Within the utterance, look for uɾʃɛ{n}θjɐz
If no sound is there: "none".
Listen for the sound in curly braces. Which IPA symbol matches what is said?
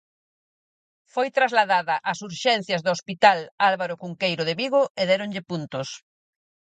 n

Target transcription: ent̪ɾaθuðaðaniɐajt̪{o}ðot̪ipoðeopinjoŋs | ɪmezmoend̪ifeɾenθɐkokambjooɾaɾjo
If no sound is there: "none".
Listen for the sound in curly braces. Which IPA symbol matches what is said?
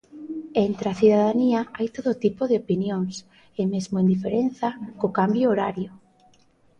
o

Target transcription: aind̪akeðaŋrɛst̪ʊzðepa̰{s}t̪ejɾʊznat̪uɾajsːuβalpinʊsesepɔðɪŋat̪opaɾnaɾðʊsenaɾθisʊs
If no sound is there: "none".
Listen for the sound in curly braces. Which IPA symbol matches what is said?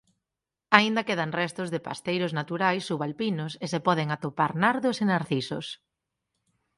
s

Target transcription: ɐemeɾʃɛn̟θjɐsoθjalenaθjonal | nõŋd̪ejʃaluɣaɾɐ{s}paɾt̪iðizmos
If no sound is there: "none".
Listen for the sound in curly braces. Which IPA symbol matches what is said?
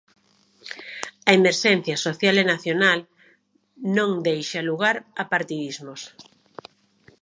none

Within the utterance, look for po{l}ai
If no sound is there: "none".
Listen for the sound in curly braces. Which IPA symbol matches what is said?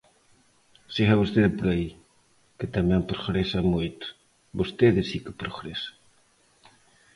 ɾ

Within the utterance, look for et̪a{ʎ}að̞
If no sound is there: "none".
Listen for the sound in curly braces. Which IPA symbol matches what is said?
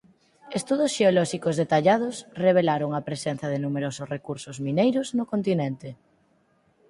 ʎ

